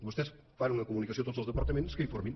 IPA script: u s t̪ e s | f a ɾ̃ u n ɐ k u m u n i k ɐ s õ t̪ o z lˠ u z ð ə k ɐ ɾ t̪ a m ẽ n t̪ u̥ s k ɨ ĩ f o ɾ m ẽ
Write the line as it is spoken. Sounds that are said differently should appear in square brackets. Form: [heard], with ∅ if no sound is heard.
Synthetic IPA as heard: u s t̪ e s | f a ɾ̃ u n ɐ k u m u n i k ɐ s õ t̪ o z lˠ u z ð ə [p] ɐ ɾ t̪ [ɐ] m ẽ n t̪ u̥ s k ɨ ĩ f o ɾ m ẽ